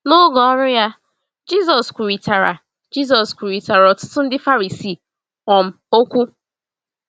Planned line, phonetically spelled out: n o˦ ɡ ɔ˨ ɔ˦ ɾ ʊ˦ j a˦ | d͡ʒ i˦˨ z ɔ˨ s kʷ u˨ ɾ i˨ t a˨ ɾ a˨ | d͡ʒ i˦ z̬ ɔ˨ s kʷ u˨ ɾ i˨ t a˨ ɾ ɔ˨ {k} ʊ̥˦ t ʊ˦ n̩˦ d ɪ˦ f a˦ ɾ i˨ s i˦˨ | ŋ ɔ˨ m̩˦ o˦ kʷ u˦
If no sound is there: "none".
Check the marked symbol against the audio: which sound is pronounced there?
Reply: t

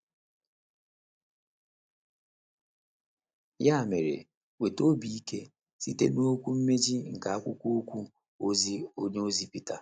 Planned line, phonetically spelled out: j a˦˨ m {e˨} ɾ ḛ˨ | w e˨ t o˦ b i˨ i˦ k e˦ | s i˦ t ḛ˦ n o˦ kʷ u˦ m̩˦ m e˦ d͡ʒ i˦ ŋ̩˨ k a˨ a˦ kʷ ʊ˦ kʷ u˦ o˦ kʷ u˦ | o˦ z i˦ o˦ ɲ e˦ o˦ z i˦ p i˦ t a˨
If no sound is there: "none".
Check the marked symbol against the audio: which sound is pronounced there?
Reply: e˨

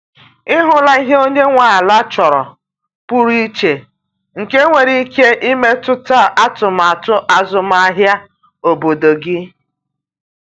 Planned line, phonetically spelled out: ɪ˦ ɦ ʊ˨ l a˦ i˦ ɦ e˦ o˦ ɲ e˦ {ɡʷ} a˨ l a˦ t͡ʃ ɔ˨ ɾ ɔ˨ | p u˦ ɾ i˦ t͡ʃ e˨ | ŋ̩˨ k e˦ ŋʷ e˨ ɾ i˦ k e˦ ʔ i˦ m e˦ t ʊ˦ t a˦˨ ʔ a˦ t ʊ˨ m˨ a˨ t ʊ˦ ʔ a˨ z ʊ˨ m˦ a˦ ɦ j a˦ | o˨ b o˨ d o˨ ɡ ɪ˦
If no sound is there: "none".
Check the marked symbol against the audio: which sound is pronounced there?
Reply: ŋʷ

